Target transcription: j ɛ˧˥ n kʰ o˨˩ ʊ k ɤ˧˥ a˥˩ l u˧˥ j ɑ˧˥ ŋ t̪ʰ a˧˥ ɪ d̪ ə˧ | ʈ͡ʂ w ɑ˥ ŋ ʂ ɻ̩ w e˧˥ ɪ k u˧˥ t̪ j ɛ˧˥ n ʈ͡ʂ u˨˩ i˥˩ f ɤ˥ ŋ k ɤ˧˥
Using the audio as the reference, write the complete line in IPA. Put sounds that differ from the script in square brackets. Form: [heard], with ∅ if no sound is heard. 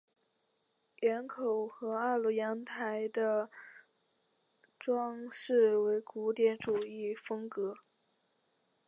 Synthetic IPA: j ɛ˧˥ n kʰ o˨˩ ʊ [x] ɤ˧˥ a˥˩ l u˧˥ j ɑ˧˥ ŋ t̪ʰ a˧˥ ɪ d̪ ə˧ | ʈ͡ʂ w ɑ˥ ŋ ʂ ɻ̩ w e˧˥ ɪ k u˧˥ t̪ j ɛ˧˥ n ʈ͡ʂ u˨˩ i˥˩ f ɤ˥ ŋ k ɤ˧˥